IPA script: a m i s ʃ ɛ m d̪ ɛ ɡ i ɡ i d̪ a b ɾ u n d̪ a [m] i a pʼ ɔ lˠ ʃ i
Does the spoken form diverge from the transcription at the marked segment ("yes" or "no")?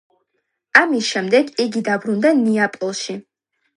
yes